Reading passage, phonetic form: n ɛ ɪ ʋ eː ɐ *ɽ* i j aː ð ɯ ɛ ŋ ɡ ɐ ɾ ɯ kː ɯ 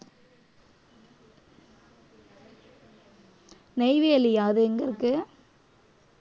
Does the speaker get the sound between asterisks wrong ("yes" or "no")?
yes